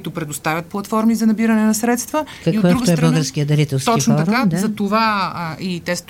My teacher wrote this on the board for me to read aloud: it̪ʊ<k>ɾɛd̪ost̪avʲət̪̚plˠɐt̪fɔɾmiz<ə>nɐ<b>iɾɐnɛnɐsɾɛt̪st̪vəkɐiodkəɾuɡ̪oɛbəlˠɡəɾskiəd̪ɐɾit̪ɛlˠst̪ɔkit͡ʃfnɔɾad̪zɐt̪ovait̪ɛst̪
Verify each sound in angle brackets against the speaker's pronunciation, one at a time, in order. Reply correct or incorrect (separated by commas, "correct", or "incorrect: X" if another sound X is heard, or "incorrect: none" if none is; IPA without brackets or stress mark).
incorrect: p, incorrect: ɐ, correct